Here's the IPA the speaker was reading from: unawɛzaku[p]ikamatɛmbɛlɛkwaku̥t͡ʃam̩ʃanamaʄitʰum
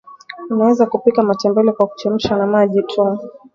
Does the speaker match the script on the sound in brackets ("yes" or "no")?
yes